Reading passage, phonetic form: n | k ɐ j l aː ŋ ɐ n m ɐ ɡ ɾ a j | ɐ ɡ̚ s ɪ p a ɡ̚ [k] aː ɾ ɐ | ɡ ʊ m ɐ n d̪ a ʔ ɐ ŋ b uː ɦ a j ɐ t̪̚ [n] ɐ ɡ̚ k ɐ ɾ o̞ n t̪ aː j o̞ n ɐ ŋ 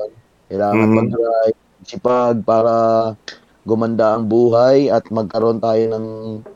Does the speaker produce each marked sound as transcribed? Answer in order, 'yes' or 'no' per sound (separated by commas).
no, no